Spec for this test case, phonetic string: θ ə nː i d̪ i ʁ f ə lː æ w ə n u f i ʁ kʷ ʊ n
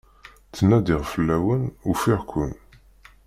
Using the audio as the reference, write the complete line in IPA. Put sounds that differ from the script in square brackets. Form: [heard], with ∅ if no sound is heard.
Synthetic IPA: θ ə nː [æ] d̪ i ʁ f ə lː æ w ə n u f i ʁ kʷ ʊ n